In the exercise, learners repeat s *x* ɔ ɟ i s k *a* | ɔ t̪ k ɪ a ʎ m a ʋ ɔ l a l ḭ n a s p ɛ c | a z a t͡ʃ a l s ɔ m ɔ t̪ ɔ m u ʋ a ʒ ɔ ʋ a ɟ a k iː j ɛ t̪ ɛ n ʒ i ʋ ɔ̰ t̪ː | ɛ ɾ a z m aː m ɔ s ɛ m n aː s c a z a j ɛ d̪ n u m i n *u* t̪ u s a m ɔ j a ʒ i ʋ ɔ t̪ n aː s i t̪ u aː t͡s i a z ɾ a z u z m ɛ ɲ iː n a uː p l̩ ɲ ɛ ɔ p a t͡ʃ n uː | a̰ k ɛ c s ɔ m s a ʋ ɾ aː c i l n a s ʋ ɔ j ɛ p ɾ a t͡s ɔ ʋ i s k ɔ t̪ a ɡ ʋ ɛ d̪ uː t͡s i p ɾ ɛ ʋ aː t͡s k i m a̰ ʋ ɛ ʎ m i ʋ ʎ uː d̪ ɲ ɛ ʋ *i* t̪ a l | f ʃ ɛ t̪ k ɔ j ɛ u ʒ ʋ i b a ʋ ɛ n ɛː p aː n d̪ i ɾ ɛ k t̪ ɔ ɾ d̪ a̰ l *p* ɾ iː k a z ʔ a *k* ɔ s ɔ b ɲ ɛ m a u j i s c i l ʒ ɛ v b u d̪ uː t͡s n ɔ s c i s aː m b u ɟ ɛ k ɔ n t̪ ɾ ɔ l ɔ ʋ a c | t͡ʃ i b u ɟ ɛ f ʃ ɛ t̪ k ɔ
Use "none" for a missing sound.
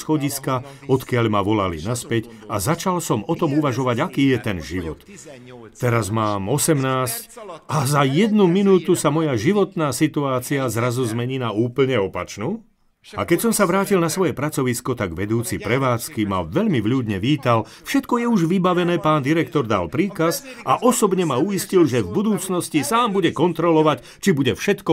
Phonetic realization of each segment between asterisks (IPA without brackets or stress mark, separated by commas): x, a, uː, iː, p, ʔ